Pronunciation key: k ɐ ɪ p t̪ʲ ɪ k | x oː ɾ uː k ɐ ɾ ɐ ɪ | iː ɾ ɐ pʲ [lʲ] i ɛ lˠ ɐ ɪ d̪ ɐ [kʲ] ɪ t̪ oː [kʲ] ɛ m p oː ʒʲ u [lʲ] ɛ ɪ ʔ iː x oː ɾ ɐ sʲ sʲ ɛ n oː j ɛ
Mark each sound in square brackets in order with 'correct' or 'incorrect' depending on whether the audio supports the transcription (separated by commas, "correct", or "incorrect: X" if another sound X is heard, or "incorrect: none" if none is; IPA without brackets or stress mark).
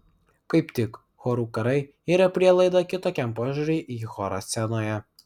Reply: incorrect: ɾʲ, correct, correct, incorrect: ɾʲ